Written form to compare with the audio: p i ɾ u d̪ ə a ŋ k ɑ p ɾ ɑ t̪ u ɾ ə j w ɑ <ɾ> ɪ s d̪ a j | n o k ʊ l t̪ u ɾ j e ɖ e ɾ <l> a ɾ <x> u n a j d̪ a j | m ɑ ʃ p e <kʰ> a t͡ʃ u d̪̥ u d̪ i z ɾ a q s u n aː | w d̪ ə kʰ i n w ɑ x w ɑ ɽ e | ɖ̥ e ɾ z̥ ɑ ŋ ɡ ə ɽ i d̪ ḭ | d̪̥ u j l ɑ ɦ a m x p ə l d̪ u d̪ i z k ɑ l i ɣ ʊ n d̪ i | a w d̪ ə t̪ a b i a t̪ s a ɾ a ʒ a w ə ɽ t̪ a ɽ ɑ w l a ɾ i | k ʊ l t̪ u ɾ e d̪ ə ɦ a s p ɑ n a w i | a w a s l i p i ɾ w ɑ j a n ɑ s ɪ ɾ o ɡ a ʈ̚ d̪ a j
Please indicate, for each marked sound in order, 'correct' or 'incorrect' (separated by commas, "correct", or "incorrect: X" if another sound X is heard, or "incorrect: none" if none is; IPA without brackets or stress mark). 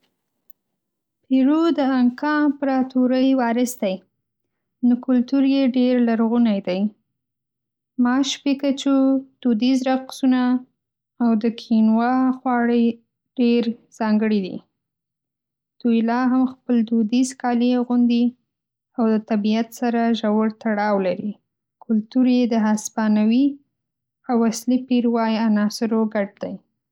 correct, correct, incorrect: ɣ, incorrect: k